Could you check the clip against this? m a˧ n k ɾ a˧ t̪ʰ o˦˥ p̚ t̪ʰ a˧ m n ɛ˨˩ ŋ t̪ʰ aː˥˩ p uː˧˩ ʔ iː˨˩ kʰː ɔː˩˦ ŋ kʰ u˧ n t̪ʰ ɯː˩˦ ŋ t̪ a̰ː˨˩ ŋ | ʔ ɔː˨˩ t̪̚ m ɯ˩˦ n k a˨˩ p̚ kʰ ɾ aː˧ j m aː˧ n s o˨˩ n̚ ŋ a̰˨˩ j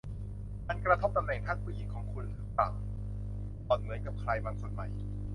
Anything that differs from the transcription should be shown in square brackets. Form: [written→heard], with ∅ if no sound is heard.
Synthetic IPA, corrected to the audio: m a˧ n k ɾ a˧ t̪ʰ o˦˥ p̚ [t̪ʰ→t̪] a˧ m n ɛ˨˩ ŋ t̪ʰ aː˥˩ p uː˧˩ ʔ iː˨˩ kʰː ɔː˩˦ ŋ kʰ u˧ n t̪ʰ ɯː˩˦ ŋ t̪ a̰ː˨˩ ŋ | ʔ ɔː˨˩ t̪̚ m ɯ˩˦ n k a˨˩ p̚ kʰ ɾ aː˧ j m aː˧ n s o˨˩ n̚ [ŋ→m] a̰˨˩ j